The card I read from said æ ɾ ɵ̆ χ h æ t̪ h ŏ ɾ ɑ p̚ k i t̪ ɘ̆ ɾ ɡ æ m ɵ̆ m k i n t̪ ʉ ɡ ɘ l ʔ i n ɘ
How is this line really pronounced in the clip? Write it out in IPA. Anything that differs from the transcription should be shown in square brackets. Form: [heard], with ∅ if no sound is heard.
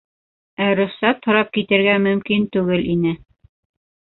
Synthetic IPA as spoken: æ ɾ ɵ̆ χ [s] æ t̪ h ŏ ɾ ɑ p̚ k i t̪ ɘ̆ ɾ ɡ æ m ɵ̆ m k i n t̪ ʉ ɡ ɘ l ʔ i n ɘ